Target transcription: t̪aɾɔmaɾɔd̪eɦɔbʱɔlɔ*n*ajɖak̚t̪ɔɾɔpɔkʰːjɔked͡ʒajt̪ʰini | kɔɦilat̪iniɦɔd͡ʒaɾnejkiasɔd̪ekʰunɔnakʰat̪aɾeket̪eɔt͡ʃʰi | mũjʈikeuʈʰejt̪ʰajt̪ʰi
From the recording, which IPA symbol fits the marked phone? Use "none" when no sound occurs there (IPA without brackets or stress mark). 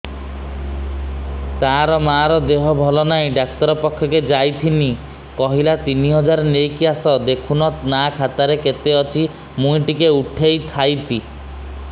n